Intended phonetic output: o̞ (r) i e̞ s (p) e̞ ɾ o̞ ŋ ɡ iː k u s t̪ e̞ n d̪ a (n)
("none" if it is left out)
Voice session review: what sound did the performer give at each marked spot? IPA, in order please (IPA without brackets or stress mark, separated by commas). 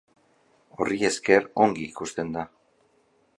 r, k, none